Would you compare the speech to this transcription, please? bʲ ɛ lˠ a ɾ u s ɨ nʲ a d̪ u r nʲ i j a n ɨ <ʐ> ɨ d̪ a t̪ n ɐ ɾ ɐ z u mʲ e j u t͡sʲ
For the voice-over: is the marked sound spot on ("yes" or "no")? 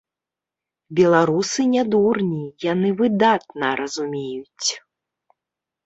no